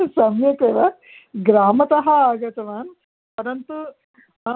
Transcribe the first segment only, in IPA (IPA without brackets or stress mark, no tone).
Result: s